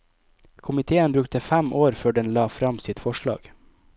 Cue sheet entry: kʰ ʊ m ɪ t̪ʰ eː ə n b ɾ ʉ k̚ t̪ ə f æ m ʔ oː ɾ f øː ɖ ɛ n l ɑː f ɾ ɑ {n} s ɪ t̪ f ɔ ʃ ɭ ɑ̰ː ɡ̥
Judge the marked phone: incorrect: m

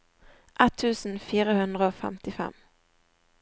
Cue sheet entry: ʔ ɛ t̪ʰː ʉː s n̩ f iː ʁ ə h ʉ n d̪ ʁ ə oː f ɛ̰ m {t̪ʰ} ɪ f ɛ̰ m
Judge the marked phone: incorrect: t̪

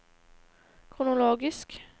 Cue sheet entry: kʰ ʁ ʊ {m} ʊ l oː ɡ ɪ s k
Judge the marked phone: incorrect: n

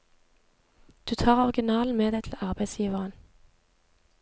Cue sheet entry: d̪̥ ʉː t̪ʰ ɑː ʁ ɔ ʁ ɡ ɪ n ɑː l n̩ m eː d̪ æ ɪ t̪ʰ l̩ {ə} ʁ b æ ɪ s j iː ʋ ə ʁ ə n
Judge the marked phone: incorrect: ɑ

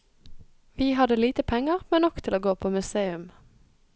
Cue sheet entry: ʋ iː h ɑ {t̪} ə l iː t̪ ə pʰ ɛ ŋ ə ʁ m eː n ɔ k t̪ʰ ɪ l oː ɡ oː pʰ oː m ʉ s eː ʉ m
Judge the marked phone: incorrect: d̪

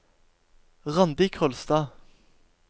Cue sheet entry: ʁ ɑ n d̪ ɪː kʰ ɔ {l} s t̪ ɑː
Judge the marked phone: correct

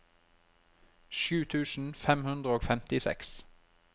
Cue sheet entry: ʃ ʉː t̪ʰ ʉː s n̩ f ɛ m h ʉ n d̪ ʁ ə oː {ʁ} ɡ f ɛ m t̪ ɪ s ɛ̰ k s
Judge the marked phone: incorrect: none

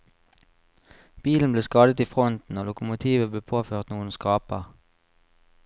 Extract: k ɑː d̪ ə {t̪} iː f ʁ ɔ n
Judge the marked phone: correct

